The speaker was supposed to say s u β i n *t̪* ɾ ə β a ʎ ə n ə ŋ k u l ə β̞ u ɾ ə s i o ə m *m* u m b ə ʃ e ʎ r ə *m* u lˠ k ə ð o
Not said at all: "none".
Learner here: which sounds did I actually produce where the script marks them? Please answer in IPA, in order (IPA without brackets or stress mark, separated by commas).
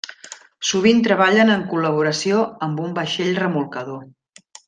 t̪, b, m